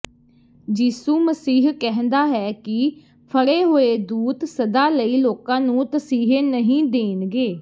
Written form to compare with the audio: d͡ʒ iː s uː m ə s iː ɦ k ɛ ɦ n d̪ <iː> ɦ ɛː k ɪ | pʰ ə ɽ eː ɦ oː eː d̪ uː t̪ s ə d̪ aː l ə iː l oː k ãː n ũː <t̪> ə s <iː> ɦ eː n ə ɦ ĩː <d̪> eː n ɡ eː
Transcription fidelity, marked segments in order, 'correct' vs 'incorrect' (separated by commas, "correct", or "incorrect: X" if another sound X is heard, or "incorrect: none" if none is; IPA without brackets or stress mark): incorrect: aː, correct, correct, correct